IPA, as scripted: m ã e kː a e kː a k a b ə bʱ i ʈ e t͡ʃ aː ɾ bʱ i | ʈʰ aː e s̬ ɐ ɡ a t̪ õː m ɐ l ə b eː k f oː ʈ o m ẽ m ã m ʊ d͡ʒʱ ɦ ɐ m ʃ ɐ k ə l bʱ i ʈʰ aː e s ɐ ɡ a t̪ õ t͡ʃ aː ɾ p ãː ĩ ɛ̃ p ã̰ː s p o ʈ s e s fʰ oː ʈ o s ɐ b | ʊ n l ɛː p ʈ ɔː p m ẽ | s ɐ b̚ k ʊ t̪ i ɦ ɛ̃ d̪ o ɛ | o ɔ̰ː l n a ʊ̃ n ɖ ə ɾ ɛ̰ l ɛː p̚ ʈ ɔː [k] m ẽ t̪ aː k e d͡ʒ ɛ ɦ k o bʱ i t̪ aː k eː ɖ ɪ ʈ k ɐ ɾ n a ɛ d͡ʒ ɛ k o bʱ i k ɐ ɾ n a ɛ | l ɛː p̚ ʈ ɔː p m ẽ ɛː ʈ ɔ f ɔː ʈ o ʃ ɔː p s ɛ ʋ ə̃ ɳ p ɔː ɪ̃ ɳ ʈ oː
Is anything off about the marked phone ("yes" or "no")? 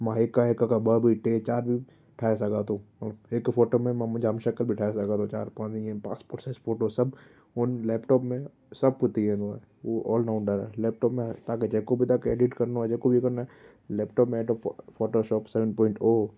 yes